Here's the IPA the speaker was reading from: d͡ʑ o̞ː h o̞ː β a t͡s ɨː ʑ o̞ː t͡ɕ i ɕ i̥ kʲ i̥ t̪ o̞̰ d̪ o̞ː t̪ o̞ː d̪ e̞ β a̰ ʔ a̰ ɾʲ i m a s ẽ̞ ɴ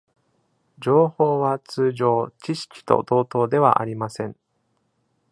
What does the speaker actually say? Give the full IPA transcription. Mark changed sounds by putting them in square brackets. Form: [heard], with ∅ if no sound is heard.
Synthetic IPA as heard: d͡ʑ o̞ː h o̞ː β a t͡s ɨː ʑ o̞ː t͡ɕ i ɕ i̥ kʲ i̥ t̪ o̞̰ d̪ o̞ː t̪ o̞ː d̪ e̞ β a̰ ʔ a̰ ɾʲ i m a s ẽ̞ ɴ